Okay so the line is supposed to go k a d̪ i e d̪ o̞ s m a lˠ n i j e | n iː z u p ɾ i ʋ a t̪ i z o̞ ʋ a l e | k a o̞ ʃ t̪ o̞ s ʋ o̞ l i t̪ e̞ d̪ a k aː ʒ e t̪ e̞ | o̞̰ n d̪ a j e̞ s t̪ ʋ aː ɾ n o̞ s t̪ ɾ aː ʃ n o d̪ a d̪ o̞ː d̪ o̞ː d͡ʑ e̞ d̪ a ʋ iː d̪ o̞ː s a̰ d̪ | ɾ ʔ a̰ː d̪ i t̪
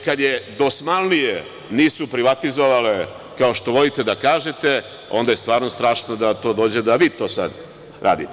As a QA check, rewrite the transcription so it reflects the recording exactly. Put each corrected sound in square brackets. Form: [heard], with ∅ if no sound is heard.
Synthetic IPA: k a d̪ [j] e d̪ o̞ s m a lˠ n i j e | n iː [s] u p ɾ i ʋ a t̪ i z o̞ ʋ a l e | k a o̞ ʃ t̪ o̞ [∅] ʋ o̞ l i t̪ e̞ d̪ a k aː ʒ e t̪ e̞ | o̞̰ n d̪ a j e̞ s t̪ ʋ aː ɾ n o̞ s t̪ ɾ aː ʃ n o d̪ a [t̪] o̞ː d̪ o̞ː d͡ʑ e̞ d̪ a ʋ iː [t̪] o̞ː s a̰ d̪ | ɾ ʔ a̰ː d̪ i t̪

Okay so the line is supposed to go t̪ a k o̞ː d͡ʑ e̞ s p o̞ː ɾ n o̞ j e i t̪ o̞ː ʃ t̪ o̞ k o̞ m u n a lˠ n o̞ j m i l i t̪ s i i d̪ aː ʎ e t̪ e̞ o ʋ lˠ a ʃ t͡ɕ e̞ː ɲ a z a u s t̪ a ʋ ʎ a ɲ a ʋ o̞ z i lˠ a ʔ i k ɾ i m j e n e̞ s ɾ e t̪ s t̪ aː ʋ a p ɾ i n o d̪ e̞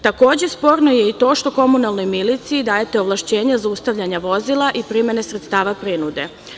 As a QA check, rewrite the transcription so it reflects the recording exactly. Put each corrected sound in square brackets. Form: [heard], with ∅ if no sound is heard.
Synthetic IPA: t̪ a k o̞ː d͡ʑ e̞ s p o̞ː ɾ n o̞ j e i t̪ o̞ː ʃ t̪ o̞ k o̞ m u n a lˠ n o̞ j m i l i t̪ s i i d̪ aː [j] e t̪ e̞ o ʋ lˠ a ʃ t͡ɕ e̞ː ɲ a z a u s t̪ a ʋ ʎ a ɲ a ʋ o̞ z i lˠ a ʔ i [p] ɾ i m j e n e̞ s ɾ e t̪ s t̪ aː ʋ a p ɾ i n [u] d̪ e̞

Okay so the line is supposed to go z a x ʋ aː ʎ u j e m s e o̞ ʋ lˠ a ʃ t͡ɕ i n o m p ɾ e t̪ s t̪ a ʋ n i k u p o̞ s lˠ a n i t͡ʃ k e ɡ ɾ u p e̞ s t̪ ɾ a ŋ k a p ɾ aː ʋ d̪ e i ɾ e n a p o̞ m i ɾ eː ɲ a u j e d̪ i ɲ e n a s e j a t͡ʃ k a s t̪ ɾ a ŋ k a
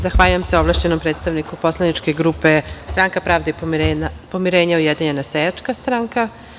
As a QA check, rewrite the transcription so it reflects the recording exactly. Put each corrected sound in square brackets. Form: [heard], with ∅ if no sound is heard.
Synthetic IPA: z a x ʋ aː ʎ u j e m s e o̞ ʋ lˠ a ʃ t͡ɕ [e] n o m p ɾ e t̪ s t̪ a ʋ n i k u p o̞ s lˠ a n i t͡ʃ k e ɡ ɾ u p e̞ s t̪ ɾ a ŋ k a p ɾ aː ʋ d̪ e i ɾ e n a p o̞ m i ɾ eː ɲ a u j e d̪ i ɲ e n a s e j a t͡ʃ k a s t̪ ɾ a ŋ k a

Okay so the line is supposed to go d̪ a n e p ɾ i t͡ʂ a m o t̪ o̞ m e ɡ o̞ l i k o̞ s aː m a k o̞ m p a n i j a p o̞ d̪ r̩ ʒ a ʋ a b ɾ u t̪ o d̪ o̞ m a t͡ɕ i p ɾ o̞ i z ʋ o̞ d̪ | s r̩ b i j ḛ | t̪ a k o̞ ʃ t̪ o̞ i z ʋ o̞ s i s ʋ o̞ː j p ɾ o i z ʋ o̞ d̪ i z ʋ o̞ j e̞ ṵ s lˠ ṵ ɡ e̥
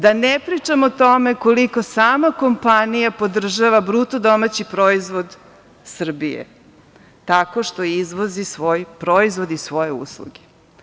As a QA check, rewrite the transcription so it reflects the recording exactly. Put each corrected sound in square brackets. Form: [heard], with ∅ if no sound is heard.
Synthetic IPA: d̪ a n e p ɾ i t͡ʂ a m o t̪ o̞ m e [k] o̞ l i k o̞ s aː m a k o̞ m p a n i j a p o̞ d̪ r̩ ʒ a ʋ a b ɾ u t̪ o d̪ o̞ m a t͡ɕ i p ɾ o̞ i z ʋ o̞ d̪ | s r̩ b i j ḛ | t̪ a k o̞ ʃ t̪ o̞ i z ʋ o̞ [z] i s ʋ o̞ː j p ɾ o i z ʋ o̞ d̪ i [s] ʋ o̞ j e̞ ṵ s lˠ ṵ ɡ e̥

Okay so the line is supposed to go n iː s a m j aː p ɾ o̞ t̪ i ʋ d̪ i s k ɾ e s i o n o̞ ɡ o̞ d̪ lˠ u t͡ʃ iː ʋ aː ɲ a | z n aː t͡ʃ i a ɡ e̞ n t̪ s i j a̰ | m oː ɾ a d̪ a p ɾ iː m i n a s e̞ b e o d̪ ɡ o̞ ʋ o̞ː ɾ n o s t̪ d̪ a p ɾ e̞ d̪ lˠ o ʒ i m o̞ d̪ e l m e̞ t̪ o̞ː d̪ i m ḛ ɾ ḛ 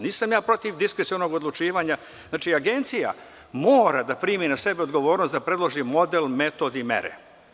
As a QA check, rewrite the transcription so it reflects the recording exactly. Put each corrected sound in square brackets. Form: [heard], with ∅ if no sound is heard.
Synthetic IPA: n iː s a m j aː p ɾ o̞ t̪ i ʋ d̪ i s k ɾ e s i o n o̞ ɡ o̞ d̪ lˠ u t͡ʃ iː ʋ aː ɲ a | z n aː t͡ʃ i a ɡ e̞ n t̪ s i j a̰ | m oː ɾ a d̪ a p ɾ iː m i n a s e̞ b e o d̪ ɡ o̞ ʋ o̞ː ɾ n o s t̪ d̪ a p ɾ e̞ d̪ lˠ o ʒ i m o̞ d̪ e l m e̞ t̪ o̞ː d̪ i m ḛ ɾ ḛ

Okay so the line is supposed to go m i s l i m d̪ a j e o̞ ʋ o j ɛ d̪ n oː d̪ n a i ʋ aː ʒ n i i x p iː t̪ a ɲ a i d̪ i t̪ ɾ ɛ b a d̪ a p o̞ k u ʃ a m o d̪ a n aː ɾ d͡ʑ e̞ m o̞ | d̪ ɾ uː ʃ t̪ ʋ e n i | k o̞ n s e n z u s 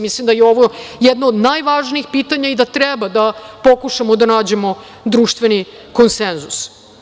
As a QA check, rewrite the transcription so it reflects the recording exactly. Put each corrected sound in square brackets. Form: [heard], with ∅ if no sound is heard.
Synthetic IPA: m i s l i m d̪ a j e o̞ ʋ o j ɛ d̪ n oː d̪ n a [j] ʋ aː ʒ n i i x p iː t̪ a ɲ a i d̪ [a] t̪ ɾ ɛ b a d̪ a p o̞ k u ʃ a m o d̪ a n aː [∅] d͡ʑ e̞ m o̞ | d̪ ɾ uː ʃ t̪ ʋ e n i | k o̞ n s e n z u s

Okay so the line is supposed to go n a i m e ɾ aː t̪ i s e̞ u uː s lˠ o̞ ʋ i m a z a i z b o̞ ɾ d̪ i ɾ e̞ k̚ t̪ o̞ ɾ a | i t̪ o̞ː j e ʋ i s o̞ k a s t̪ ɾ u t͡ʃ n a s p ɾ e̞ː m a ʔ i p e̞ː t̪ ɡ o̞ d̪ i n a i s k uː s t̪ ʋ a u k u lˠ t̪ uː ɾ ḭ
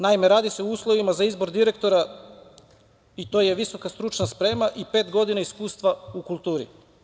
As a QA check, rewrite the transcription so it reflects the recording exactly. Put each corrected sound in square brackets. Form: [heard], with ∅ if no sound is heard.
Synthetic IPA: n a i m e ɾ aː [d̪] i s e̞ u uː s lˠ o̞ ʋ i m a z a i z b o̞ ɾ d̪ i ɾ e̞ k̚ t̪ o̞ ɾ a | i t̪ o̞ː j e ʋ i s o̞ k a s t̪ ɾ u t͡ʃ n a s p ɾ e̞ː m a ʔ i p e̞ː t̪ ɡ o̞ d̪ i n a i s k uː s t̪ ʋ a u k u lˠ t̪ uː ɾ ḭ

